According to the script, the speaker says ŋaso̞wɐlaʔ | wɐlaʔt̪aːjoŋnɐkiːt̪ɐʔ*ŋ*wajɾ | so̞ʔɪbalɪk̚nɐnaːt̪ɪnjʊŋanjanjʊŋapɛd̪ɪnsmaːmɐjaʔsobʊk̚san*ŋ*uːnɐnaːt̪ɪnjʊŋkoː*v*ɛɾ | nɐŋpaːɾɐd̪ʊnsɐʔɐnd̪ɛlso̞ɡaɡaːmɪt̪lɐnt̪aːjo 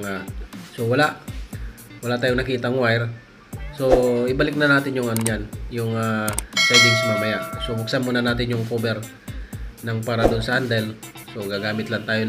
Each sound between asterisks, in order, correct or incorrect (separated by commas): correct, incorrect, incorrect